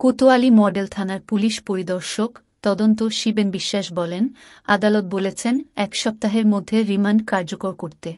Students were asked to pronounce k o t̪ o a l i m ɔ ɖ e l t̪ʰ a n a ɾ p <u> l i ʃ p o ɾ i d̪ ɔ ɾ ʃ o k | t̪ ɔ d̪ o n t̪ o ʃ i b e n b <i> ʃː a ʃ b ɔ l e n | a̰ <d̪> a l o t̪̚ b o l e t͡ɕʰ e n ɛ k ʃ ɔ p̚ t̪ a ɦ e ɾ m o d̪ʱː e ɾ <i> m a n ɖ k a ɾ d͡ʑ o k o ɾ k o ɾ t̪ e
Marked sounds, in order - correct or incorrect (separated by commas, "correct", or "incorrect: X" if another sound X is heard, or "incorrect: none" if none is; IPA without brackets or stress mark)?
correct, correct, correct, correct